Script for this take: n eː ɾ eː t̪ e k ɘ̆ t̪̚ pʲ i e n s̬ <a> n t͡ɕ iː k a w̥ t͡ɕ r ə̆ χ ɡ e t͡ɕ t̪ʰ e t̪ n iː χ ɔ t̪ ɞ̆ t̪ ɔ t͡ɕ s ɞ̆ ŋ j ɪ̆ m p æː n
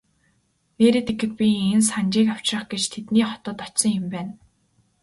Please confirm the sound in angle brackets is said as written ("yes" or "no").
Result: yes